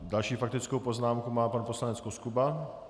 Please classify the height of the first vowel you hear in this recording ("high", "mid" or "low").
low